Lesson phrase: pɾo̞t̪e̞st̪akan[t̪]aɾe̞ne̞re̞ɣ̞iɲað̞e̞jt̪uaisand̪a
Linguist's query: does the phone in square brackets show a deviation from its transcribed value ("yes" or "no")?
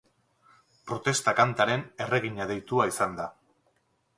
no